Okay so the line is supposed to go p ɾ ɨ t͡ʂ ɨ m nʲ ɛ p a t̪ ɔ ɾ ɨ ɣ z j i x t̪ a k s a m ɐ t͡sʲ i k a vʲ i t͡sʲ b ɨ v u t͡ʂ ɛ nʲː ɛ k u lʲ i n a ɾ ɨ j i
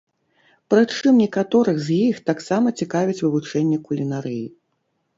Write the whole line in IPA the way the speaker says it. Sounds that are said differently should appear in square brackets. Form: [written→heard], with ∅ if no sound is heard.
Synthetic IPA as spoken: p ɾ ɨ t͡ʂ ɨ m nʲ ɛ [p→k] a t̪ ɔ ɾ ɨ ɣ z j i x t̪ a k s a m ɐ t͡sʲ i k a vʲ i t͡sʲ [b→v] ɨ v u t͡ʂ ɛ nʲː ɛ k u lʲ i n a ɾ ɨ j i

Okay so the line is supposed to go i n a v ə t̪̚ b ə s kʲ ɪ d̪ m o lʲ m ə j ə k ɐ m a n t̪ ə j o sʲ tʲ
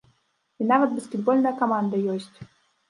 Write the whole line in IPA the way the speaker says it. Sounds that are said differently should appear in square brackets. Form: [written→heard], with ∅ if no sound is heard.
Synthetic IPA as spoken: i n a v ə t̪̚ b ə s kʲ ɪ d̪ [m→b] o lʲ [m→n] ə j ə k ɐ m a n [t̪→d̪] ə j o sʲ tʲ

